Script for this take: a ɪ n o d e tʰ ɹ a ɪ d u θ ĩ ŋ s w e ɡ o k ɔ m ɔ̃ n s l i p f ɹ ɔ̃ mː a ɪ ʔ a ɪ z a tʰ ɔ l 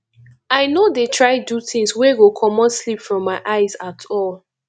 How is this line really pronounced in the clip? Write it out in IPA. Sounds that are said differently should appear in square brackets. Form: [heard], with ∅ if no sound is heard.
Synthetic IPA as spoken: a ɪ n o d e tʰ ɹ a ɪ d u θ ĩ ŋ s w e ɡ o [kʰ] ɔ m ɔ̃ n s l i p f ɹ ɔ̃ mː a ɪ ʔ a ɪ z a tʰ ɔ l

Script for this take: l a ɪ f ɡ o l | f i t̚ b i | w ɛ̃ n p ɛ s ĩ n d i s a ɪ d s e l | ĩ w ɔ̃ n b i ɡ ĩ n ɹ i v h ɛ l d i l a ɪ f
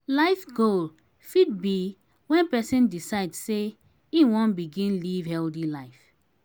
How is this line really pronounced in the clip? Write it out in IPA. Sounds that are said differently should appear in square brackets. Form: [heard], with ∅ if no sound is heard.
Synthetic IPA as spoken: l a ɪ f ɡ o l | f i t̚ b i | w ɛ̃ n p ɛ s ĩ n d i s a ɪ d s e [∅] | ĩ w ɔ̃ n b i ɡ ĩ n [l] i v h ɛ l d i l a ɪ f

